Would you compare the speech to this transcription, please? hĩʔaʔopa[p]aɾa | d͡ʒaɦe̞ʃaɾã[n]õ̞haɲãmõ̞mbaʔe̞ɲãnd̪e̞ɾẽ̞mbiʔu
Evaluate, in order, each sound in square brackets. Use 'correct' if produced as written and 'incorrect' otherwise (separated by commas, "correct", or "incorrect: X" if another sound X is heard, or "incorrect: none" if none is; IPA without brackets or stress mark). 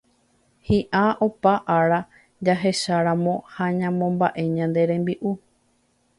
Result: incorrect: ʔ, incorrect: m